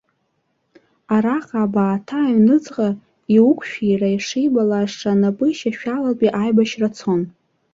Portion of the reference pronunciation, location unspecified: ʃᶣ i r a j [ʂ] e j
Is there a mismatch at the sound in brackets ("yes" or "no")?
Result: no